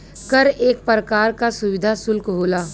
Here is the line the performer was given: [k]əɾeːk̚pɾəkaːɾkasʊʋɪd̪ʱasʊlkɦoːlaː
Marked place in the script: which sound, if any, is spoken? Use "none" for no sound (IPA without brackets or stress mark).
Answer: k